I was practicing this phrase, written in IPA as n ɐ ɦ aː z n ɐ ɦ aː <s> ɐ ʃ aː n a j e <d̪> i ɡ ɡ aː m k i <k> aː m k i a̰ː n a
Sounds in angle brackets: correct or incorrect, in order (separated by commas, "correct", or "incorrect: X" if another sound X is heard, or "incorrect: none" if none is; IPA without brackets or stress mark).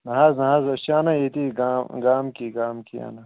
incorrect: z, incorrect: t̪, incorrect: ɡ